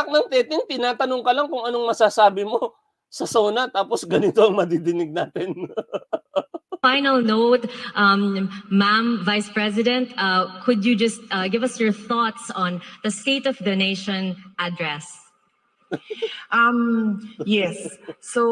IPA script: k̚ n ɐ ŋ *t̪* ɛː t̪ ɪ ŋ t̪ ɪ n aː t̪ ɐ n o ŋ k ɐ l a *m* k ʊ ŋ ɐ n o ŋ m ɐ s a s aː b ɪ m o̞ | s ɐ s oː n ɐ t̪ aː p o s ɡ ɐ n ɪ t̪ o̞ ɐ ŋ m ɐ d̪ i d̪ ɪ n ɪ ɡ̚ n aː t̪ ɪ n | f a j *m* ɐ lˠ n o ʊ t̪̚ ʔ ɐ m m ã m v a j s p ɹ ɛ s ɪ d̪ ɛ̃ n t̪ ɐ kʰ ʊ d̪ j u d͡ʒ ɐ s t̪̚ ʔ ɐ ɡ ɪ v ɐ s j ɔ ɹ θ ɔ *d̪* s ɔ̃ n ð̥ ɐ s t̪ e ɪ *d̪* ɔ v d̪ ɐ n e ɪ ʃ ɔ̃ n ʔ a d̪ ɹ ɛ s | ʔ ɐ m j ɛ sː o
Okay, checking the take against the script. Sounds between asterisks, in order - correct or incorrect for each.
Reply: correct, incorrect: ŋ, incorrect: n, incorrect: t̪, incorrect: t̪

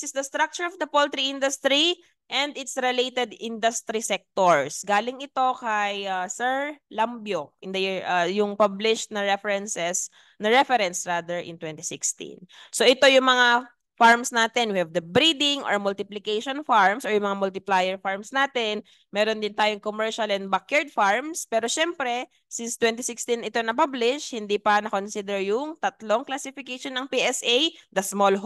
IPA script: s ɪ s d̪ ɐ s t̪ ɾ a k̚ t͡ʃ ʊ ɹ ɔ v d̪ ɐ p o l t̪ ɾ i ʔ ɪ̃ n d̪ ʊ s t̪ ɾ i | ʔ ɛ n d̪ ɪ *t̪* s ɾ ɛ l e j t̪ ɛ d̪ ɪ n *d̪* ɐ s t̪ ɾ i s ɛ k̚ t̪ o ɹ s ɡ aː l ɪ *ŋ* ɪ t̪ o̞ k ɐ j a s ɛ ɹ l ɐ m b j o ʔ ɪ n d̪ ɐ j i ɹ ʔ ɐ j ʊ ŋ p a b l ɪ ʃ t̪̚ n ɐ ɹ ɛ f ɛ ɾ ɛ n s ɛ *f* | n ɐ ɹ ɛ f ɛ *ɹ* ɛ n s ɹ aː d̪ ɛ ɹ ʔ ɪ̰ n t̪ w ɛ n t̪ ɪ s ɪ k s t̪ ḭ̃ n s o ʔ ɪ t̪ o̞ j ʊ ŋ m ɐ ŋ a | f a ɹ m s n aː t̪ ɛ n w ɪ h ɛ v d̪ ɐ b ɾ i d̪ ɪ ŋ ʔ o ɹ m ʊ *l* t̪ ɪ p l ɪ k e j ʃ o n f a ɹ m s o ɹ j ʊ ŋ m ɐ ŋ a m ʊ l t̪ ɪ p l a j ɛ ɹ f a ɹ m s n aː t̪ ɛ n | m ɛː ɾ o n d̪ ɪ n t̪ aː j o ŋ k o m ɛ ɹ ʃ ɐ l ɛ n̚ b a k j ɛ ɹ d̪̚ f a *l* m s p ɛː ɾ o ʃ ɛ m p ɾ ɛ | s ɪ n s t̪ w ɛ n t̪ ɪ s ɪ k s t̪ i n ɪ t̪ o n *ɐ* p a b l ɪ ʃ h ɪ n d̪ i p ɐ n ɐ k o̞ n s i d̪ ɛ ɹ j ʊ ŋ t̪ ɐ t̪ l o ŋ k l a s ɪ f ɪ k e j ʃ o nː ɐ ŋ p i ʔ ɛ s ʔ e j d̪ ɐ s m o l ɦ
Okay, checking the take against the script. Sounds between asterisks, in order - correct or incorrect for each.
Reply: correct, correct, correct, incorrect: s, incorrect: ɾ, correct, incorrect: ɹ, correct

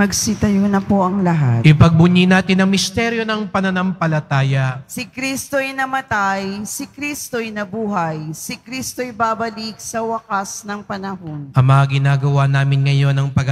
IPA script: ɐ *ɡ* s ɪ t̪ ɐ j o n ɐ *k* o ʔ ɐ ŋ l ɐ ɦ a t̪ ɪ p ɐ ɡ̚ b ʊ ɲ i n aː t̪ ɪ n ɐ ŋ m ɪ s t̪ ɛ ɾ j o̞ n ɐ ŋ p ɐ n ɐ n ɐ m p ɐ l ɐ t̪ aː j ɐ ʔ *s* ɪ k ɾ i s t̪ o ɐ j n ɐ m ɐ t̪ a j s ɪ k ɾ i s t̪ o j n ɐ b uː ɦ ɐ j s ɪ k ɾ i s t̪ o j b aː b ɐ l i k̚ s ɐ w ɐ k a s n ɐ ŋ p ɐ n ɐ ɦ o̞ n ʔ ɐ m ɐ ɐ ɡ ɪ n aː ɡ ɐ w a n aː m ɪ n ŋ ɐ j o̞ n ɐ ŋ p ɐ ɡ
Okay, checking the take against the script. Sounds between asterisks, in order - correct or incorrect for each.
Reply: correct, incorrect: p, correct

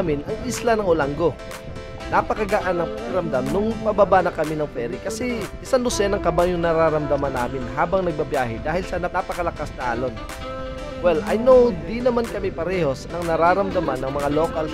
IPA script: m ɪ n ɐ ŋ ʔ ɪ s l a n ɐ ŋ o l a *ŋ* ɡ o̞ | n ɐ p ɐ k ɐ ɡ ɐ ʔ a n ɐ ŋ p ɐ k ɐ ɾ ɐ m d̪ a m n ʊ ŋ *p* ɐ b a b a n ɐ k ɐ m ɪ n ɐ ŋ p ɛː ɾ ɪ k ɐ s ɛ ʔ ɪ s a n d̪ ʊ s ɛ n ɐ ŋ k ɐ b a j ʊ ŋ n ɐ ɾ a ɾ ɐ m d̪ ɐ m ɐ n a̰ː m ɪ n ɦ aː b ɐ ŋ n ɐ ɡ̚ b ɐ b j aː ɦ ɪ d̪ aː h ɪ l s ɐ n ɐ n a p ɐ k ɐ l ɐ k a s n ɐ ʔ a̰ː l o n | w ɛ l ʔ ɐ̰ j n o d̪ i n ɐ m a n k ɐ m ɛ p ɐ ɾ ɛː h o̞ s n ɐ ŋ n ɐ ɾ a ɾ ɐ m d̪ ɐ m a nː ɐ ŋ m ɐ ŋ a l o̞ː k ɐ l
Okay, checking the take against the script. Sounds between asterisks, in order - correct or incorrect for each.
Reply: correct, correct

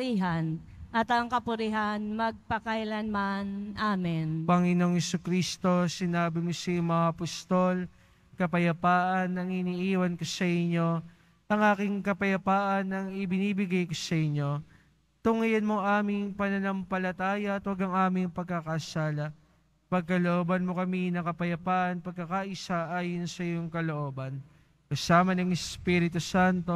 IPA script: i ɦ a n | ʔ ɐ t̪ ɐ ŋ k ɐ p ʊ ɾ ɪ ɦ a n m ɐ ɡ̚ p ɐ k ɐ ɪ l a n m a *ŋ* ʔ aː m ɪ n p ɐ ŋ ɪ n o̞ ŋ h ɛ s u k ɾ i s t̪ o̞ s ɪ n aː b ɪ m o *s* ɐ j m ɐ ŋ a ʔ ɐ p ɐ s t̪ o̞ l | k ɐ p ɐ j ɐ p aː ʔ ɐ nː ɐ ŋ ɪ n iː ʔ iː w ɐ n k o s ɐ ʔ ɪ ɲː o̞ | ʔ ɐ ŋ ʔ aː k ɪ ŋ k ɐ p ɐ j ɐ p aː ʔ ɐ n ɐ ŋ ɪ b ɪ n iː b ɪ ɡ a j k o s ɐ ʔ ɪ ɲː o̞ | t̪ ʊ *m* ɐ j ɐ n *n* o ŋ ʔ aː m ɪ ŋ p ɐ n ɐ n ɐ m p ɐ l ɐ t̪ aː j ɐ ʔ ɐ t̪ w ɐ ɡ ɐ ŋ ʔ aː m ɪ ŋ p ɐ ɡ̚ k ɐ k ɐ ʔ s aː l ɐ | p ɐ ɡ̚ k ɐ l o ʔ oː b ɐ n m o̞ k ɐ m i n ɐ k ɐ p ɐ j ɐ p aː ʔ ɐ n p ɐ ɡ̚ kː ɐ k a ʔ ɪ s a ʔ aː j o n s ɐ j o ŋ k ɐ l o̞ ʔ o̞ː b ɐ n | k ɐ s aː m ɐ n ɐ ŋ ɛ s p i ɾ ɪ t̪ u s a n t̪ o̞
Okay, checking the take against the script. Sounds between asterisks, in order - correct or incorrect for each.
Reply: incorrect: n, correct, incorrect: ŋ, incorrect: m

